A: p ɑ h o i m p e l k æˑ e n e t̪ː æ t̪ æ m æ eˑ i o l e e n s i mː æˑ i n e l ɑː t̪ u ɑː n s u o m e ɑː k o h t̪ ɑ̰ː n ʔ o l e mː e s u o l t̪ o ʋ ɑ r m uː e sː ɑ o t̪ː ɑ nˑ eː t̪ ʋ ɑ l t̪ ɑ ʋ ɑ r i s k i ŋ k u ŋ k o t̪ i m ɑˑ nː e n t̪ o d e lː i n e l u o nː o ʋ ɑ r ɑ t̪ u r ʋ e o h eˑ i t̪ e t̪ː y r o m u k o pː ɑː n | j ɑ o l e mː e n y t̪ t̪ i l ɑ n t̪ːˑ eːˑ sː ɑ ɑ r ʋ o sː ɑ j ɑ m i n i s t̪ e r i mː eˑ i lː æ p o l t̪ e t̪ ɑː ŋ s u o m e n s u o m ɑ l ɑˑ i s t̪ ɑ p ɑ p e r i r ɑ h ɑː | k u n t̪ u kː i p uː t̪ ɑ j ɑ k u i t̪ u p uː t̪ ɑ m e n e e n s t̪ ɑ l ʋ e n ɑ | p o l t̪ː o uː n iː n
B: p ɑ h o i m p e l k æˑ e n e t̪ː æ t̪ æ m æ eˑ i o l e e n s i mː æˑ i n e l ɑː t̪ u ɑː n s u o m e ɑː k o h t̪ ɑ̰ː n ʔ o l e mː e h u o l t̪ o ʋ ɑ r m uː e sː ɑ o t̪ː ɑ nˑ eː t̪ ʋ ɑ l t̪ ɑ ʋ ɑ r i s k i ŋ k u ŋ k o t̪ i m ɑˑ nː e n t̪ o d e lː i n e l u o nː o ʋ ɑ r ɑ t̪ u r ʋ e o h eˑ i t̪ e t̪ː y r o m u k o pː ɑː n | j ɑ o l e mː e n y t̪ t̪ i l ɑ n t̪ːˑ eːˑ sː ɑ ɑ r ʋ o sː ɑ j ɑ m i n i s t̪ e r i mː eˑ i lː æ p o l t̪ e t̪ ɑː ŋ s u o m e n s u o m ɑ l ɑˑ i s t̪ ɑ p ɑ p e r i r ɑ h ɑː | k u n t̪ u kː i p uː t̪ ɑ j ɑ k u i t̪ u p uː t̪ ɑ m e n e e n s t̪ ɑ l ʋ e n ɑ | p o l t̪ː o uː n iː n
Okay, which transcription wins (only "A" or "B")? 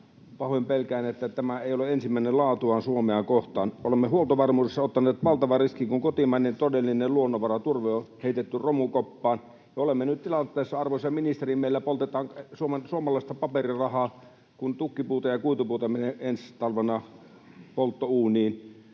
B